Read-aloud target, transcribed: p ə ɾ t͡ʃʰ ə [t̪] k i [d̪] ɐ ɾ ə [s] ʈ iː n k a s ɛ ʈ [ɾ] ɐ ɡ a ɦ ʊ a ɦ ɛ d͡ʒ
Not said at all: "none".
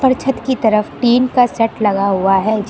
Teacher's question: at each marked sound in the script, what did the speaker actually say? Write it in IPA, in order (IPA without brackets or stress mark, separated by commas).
t̪, t̪, f, l